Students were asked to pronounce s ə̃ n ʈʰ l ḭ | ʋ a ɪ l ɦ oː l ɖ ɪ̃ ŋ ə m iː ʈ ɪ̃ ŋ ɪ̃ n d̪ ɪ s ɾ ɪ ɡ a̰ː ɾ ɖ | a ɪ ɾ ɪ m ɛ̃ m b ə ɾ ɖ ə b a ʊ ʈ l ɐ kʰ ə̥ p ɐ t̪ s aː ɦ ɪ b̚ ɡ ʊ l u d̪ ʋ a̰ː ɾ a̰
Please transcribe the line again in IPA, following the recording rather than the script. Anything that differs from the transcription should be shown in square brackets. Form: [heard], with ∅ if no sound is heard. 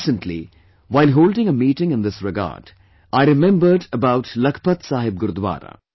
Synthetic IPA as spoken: s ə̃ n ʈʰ l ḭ | ʋ a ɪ l ɦ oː l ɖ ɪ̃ ŋ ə m iː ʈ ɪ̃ ŋ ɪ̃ n d̪ ɪ s ɾ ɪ ɡ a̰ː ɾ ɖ | a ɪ ɾ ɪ m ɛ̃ m b ə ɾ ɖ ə b a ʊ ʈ l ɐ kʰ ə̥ p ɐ t̪ s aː ɦ ɪ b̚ ɡ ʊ [ɾ] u d̪ ʋ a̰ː ɾ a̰